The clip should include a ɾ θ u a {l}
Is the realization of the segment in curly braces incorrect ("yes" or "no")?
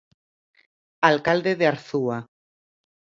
yes